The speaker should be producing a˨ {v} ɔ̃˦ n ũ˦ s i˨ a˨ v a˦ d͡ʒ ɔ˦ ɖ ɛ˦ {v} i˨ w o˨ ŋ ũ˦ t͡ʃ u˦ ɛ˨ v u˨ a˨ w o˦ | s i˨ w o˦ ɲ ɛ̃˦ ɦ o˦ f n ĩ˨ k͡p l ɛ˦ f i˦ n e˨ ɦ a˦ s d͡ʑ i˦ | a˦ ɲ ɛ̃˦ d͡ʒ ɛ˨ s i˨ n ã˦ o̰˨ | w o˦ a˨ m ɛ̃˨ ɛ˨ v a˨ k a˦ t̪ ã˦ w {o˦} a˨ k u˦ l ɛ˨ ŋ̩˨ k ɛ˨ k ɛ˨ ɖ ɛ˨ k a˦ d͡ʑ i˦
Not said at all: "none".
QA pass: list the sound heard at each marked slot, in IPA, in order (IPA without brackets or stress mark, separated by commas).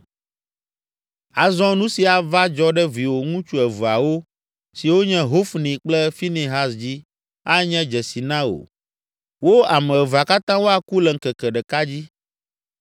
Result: z, v, o˦